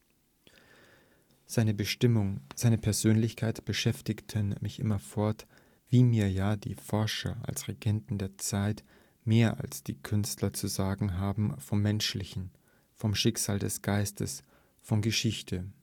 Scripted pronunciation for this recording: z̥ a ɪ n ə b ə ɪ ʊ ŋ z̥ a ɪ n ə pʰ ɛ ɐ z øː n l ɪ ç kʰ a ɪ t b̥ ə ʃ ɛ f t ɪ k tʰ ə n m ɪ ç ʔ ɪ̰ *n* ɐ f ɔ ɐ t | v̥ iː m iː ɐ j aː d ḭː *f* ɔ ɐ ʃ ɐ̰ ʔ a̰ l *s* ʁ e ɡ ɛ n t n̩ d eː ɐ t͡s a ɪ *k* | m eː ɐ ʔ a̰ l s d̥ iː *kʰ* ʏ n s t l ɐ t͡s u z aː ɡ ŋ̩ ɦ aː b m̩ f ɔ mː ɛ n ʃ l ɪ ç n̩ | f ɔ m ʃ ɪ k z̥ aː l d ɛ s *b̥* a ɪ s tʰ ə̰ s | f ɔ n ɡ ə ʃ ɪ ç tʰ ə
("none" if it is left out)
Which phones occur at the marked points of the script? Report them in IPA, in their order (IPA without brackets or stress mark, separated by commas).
m, f, s, t, kʰ, ɡ̥